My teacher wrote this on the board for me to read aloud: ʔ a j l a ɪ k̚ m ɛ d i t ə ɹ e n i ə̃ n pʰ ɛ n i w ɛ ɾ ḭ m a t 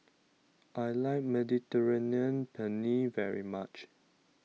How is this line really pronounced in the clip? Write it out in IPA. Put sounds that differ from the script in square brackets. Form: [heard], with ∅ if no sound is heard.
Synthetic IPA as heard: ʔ a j l a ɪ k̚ m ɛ d i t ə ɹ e n i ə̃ n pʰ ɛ n i [v] ɛ [ɹ] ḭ m a [t͡ʃ]